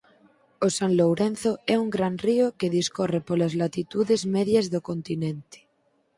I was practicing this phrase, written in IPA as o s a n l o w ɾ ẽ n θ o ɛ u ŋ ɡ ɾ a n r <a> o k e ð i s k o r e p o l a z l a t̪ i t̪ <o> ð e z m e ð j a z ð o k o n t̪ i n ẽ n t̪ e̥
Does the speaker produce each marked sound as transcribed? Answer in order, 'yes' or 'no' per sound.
no, no

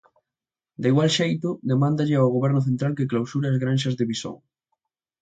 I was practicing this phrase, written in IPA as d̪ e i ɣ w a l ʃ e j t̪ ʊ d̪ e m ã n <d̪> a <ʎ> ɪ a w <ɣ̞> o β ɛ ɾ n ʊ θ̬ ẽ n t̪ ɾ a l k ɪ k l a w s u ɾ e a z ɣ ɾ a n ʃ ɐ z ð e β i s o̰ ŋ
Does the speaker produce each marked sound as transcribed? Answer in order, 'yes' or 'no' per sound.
yes, yes, yes

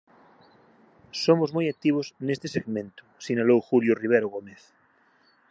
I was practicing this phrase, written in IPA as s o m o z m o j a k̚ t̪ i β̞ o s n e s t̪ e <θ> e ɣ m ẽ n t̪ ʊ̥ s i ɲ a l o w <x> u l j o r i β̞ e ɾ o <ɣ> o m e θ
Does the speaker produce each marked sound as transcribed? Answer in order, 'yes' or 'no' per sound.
no, yes, yes

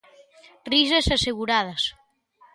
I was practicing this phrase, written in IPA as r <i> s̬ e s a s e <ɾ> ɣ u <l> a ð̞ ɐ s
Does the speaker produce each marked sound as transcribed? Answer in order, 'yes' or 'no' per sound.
yes, no, no

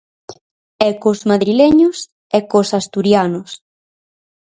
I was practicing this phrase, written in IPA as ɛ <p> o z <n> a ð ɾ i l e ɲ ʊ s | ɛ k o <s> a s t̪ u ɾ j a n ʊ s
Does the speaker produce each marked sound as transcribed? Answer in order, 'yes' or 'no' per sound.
no, no, yes

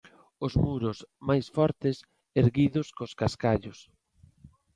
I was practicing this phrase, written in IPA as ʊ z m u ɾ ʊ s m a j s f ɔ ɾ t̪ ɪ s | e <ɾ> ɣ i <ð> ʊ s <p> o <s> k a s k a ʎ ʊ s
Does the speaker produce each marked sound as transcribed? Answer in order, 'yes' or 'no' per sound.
yes, yes, no, yes

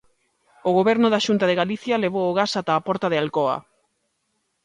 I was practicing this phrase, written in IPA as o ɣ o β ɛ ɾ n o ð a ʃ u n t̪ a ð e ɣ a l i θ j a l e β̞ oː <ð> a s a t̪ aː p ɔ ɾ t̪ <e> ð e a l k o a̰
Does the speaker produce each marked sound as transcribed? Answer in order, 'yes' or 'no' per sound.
no, no

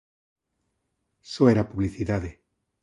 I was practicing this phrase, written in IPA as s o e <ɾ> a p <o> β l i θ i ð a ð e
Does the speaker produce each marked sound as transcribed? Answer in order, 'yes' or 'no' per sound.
yes, no

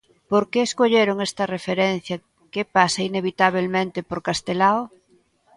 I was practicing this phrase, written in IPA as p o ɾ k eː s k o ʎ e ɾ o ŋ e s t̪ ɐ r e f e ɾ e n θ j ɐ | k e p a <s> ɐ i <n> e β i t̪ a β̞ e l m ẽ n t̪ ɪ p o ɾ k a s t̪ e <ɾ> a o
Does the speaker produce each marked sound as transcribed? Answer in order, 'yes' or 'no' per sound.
yes, yes, no

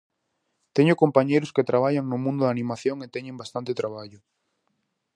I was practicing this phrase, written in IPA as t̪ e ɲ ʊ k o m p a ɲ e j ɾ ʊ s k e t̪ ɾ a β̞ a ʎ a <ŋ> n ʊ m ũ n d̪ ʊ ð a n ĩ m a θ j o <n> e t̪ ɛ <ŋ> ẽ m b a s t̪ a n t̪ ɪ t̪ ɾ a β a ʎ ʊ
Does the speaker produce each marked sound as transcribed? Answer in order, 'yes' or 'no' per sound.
yes, no, no

